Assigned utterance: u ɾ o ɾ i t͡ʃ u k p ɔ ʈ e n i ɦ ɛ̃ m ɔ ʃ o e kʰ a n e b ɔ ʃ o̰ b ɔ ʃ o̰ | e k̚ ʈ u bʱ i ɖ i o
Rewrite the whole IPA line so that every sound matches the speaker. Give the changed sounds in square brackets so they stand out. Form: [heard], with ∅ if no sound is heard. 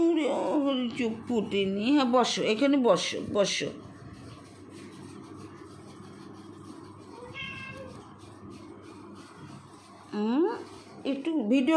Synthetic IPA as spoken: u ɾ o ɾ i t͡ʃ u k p [u] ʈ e n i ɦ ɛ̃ [b] ɔ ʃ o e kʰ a n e b ɔ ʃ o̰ b ɔ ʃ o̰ | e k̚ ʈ u bʱ i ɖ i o